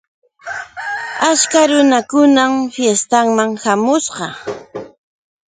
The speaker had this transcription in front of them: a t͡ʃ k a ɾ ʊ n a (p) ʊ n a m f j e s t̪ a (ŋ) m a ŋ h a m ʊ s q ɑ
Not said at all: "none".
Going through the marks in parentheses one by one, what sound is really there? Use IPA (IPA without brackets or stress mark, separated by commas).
k, ŋ